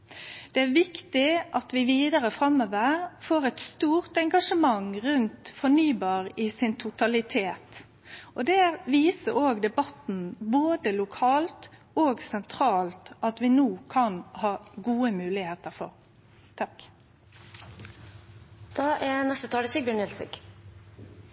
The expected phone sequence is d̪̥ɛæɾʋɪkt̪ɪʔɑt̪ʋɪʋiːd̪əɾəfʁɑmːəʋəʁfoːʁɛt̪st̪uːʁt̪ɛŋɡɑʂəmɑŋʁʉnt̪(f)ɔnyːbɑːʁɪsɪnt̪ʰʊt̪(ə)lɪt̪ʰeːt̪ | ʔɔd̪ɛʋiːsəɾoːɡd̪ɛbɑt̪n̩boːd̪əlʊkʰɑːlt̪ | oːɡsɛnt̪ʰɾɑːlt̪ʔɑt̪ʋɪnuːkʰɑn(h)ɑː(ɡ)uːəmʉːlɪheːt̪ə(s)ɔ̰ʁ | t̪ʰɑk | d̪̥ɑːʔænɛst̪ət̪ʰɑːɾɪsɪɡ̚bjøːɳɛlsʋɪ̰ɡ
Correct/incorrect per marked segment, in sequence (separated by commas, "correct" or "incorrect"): correct, incorrect, correct, correct, incorrect